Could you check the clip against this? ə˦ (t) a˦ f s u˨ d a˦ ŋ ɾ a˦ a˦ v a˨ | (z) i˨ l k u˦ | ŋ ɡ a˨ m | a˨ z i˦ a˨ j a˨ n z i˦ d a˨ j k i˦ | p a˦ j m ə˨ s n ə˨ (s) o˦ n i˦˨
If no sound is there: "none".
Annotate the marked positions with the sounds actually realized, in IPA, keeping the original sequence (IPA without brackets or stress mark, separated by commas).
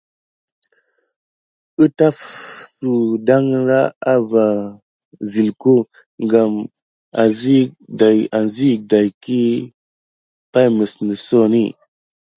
t, z, s